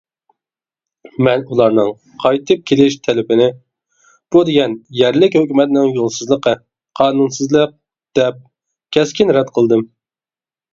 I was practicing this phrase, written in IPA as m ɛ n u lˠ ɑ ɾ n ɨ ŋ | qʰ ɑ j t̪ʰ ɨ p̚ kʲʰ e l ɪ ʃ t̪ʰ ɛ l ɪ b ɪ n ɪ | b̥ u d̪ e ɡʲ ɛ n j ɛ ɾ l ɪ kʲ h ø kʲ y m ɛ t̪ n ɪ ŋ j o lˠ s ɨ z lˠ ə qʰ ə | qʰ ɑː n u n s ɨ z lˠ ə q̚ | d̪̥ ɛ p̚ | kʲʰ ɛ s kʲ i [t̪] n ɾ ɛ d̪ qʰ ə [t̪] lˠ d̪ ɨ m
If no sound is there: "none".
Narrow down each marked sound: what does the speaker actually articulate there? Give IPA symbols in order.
none, none

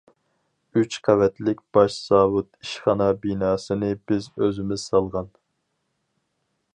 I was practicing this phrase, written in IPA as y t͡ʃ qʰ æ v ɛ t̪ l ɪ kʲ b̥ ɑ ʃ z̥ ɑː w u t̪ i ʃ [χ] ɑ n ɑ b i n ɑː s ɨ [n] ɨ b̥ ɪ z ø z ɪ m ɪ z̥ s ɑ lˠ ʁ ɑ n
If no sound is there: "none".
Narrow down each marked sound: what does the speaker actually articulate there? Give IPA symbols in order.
χ, n

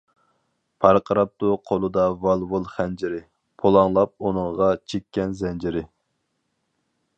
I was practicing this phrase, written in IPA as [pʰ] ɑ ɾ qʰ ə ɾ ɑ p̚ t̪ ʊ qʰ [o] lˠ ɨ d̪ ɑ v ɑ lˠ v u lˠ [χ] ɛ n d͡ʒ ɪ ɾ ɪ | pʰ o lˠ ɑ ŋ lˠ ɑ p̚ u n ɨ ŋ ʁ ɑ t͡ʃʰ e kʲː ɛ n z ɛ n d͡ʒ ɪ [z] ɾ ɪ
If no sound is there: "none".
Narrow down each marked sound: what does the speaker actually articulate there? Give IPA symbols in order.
pʰ, o, χ, none

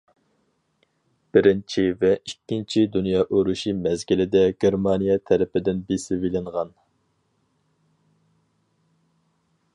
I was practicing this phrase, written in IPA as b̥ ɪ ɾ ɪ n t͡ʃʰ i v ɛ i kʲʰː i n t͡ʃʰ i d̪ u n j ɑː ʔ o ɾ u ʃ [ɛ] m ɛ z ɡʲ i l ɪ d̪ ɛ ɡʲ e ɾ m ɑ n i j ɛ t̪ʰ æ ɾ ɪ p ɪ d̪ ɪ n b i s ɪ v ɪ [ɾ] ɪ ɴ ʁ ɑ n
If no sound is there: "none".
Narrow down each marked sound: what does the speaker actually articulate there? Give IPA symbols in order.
i, l

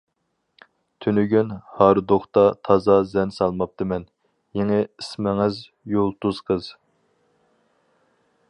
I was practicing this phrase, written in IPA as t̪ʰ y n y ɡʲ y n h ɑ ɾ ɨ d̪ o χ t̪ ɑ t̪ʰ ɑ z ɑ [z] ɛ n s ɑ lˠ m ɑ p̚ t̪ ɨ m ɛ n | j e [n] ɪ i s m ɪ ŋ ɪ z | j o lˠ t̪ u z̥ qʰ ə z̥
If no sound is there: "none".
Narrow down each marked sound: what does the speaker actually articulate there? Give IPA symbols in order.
z, ŋ

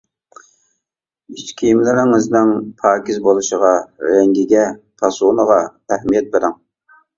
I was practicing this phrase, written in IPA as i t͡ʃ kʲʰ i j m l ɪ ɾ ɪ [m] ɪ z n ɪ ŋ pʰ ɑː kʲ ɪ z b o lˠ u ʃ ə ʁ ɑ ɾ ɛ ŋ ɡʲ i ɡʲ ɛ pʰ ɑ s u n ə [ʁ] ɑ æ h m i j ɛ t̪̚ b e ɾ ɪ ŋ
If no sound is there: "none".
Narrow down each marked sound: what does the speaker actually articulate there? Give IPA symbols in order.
ŋ, ʁ

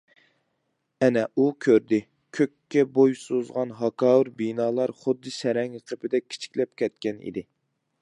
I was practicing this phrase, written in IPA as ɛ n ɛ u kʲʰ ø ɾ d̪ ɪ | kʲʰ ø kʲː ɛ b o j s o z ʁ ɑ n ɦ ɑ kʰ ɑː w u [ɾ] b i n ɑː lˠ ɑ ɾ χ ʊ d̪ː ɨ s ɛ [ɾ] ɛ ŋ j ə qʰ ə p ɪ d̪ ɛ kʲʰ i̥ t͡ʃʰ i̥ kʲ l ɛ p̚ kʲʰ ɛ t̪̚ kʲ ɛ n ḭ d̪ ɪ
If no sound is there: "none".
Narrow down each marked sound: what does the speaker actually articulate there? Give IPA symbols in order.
ɾ, ɾ

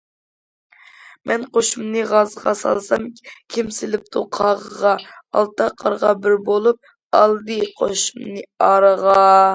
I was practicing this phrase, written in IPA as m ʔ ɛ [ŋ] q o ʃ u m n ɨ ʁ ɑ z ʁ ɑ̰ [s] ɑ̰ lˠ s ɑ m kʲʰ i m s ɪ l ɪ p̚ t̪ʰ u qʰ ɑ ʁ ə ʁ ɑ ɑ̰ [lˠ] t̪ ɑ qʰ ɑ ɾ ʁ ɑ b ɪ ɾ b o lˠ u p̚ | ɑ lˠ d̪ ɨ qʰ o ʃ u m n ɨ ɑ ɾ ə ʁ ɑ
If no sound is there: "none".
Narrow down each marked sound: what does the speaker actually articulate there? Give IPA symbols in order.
n, s, lˠ

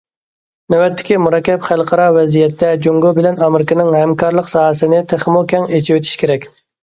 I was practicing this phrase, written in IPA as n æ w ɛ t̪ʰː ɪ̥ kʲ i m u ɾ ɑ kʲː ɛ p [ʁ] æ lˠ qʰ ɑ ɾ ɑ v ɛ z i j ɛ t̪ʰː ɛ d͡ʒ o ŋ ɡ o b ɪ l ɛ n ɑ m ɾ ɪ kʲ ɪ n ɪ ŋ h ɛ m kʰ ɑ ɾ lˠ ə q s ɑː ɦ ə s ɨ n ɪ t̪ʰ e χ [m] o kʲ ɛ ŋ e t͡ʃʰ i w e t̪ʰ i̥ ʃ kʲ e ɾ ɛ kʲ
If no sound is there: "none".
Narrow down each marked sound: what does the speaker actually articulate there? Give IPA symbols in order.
χ, m

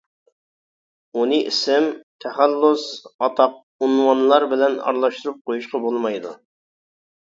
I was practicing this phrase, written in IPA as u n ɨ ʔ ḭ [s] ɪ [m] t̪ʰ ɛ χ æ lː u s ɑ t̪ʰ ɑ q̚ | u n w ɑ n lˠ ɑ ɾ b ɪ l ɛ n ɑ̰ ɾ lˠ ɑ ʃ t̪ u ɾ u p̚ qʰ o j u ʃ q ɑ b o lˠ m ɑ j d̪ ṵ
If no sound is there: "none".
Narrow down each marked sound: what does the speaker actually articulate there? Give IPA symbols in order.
s, m

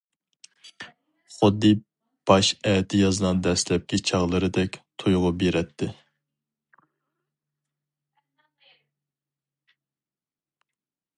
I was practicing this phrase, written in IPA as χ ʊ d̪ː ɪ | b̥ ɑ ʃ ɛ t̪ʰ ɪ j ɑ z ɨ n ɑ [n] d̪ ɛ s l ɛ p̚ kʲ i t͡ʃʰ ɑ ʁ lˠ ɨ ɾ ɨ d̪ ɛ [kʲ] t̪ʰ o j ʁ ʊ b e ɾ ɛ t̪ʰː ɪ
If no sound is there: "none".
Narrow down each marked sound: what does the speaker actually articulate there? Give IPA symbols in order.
n, kʲ

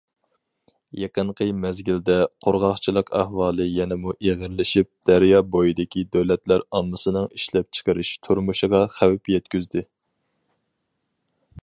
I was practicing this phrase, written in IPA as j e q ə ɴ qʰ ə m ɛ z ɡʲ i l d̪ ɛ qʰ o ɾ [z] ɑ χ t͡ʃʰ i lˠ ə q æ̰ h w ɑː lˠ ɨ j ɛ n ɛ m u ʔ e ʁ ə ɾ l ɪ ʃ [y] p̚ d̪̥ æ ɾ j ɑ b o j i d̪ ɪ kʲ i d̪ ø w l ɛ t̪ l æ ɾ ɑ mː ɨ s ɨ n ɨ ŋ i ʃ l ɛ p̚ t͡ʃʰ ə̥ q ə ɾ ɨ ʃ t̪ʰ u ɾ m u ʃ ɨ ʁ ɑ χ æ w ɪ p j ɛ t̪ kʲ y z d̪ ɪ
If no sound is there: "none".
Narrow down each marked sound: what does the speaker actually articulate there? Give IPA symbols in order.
ʁ, i

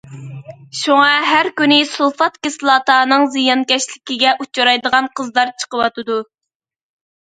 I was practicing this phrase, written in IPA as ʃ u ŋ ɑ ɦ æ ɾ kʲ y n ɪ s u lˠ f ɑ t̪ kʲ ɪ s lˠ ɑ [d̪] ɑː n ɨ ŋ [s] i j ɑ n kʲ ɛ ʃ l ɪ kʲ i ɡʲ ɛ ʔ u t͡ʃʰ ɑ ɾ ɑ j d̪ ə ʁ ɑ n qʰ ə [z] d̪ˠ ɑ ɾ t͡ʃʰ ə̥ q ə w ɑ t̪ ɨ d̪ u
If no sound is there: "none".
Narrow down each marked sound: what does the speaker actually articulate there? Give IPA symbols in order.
t̪, z, z

